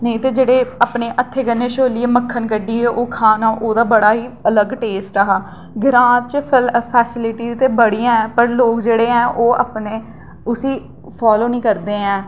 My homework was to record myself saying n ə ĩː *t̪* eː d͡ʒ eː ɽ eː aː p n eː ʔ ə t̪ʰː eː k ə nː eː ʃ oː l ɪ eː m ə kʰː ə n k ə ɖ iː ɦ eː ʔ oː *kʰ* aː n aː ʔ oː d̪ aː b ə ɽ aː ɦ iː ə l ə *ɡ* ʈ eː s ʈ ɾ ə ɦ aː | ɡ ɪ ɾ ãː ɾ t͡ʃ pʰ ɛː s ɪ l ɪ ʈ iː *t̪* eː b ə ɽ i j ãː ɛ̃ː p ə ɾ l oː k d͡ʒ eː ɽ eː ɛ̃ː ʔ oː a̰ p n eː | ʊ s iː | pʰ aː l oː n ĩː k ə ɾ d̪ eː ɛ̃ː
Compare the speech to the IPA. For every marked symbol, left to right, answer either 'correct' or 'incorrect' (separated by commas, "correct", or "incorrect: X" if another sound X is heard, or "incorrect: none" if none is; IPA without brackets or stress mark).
correct, correct, correct, correct